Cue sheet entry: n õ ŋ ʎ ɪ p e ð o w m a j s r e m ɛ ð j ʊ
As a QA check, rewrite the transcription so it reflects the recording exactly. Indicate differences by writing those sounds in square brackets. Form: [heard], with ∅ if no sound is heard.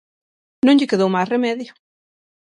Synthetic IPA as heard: n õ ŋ ʎ ɪ [k] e ð o w m a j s r e m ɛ ð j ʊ